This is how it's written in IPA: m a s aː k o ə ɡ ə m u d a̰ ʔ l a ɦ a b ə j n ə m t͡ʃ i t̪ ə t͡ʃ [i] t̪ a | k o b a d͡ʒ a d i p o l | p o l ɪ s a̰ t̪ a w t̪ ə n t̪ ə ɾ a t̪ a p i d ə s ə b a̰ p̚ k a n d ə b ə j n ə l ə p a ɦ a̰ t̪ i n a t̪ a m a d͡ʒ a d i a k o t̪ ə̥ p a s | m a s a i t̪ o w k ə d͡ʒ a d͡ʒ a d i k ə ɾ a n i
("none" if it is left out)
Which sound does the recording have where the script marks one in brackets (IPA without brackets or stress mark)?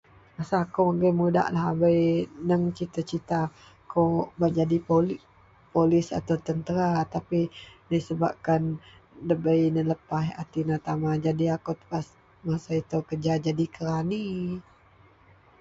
i